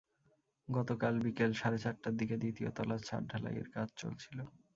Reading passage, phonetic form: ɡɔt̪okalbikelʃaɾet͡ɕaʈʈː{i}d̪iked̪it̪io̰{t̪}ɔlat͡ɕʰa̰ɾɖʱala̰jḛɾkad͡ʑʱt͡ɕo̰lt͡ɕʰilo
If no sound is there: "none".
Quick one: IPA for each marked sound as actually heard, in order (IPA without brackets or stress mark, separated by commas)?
a, t̪